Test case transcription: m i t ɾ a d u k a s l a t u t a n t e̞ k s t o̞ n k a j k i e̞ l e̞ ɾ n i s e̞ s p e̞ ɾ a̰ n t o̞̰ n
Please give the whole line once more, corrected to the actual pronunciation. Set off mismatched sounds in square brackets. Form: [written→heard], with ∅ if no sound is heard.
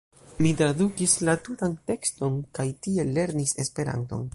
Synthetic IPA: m i t ɾ a d u k [a→i] s l a t u t a n t e̞ k s t o̞ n k a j [k→t] i e̞ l e̞ ɾ n i s e̞ s p e̞ ɾ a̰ n t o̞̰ n